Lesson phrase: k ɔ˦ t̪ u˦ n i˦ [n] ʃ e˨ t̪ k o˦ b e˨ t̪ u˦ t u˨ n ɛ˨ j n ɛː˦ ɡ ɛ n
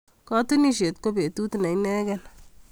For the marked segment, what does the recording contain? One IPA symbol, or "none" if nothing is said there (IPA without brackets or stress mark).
none